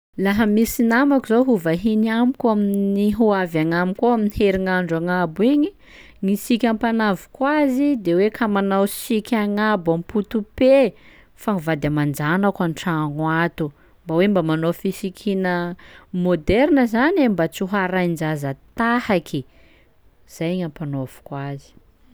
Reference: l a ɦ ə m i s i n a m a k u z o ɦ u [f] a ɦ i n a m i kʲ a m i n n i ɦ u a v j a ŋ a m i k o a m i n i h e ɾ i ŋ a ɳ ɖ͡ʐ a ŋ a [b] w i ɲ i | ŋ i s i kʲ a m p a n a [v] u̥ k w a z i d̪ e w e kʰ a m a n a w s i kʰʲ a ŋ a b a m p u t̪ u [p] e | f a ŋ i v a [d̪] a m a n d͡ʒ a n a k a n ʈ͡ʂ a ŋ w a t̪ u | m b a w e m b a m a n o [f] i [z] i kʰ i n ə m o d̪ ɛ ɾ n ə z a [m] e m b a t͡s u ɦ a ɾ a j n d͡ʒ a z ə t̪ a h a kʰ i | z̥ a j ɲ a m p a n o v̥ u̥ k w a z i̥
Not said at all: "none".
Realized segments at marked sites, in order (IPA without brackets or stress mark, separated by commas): v, b, v, p, d̪, f, s, n